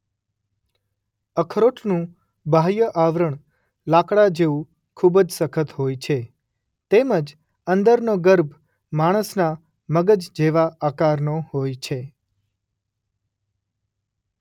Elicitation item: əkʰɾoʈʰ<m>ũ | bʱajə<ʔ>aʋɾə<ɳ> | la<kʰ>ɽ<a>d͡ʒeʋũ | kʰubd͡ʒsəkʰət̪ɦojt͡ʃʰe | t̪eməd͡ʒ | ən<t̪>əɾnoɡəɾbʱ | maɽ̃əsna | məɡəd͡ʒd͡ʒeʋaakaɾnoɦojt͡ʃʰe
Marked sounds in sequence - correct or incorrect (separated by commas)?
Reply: incorrect, correct, correct, incorrect, correct, incorrect